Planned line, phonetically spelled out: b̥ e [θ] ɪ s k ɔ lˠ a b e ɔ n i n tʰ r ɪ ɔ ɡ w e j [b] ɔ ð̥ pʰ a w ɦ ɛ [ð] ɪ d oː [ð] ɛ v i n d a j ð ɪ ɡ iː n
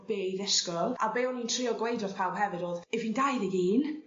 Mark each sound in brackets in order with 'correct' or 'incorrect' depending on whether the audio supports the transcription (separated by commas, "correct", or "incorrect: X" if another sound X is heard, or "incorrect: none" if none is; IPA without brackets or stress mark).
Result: incorrect: ð, incorrect: d, incorrect: v, correct